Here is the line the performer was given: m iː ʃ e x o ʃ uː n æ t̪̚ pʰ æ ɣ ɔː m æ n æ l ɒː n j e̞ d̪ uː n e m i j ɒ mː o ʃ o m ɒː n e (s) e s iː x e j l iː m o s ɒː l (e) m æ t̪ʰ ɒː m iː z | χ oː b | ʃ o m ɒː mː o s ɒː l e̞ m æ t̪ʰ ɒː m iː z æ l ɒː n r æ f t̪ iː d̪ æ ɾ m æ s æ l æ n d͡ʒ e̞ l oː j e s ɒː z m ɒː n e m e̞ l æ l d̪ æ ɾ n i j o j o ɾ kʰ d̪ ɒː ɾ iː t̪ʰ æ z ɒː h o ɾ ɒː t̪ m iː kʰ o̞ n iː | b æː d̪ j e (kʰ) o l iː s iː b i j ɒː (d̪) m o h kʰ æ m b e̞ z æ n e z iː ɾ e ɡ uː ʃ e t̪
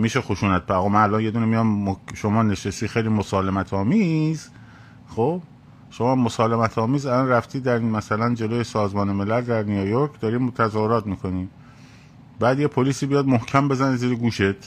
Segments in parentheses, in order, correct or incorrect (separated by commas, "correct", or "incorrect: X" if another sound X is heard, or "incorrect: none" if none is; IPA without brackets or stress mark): incorrect: ʃ, correct, incorrect: pʰ, correct